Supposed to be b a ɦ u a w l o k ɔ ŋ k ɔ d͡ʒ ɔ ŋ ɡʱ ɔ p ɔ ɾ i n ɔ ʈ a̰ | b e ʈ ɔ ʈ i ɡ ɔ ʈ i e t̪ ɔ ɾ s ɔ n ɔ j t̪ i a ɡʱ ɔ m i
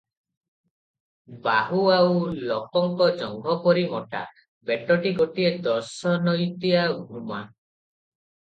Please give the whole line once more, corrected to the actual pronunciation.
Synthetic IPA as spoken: b a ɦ u a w l ɔ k ɔ ŋ k ɔ d͡ʒ ɔ ŋ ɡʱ ɔ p ɔ ɾ i m ɔ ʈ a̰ | b e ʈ ɔ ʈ i ɡ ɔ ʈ i e d̪ ɔ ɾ s ɔ n ɔ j t̪ i a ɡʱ u m a